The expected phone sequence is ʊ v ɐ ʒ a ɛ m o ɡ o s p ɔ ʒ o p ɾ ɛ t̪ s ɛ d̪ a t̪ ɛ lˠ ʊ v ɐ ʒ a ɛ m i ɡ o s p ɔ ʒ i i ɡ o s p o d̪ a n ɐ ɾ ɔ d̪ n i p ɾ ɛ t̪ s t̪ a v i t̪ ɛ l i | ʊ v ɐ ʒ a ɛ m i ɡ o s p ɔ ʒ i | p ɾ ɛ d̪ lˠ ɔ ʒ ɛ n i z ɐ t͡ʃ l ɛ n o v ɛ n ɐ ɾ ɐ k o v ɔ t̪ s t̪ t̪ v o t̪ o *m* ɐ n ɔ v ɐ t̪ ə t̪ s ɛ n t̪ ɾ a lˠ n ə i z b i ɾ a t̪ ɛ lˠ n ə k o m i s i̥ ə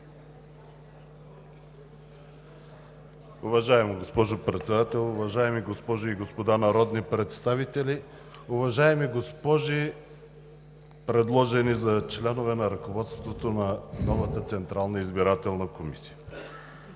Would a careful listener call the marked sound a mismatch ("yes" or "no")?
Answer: yes